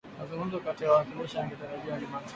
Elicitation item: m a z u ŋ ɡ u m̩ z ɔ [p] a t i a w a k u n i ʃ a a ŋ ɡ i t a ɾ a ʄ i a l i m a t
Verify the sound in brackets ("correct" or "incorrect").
incorrect